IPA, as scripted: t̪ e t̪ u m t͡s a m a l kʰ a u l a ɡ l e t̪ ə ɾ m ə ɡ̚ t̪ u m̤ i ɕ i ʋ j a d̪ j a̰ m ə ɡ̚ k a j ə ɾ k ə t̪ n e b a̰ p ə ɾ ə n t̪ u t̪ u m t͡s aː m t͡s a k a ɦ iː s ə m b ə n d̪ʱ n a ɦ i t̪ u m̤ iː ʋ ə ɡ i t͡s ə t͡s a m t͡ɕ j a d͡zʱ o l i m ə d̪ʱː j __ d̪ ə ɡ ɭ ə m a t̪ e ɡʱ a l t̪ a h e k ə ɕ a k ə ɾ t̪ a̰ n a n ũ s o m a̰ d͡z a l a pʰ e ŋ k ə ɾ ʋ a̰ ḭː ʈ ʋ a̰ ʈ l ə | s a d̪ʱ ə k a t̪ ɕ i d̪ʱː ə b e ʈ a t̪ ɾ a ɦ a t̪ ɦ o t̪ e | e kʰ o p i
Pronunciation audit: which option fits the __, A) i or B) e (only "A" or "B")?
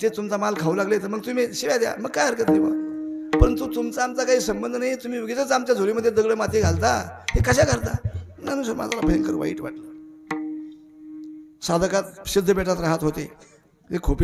B